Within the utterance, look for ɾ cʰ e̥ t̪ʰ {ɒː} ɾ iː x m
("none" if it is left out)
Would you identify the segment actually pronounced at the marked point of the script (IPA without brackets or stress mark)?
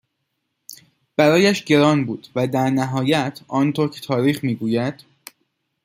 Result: ɒː